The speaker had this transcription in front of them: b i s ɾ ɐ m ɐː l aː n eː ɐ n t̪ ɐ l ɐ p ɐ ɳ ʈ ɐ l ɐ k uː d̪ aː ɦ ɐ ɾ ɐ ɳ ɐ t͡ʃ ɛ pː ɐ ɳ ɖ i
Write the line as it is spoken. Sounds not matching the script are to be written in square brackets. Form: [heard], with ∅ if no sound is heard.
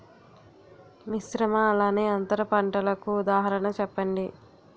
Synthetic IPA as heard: [m] i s ɾ ɐ m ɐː l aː n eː ɐ n t̪ ɐ [ɾ] ɐ p ɐ ɳ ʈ ɐ l ɐ k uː d̪ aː ɦ ɐ ɾ ɐ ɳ ɐ t͡ʃ ɛ pː ɐ ɳ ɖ i